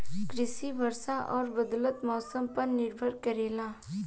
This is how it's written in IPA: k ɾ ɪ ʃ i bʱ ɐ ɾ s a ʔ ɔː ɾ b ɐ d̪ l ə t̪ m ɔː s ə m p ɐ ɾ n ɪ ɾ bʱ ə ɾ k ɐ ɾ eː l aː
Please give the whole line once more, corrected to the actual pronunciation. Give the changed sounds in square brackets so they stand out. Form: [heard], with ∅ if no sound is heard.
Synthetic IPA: k ɾ ɪ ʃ i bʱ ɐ ɾ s a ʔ ɔː ɾ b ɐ d̪ l ə t̪ m ɔː s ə m p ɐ ɾ n ɪ ɾ bʱ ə ɾ k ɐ ɾ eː l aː